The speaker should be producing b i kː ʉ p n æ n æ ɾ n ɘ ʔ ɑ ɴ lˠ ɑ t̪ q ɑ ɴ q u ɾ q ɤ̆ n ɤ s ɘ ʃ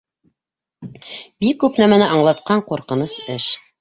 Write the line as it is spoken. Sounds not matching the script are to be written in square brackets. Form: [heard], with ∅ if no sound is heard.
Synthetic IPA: b i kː ʉ p n æ [m] æ [∅] n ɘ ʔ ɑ ɴ lˠ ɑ t̪ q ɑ ɴ q u ɾ q ɤ̆ n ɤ s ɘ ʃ